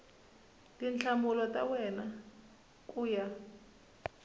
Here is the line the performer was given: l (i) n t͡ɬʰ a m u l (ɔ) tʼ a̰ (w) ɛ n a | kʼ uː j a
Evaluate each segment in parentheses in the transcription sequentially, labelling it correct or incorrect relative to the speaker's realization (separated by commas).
correct, correct, correct